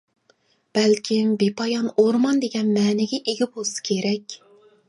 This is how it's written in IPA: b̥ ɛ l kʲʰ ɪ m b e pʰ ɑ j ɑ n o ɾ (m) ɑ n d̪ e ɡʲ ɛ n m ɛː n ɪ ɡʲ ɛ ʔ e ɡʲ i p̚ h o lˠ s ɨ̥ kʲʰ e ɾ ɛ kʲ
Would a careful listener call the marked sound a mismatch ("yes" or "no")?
no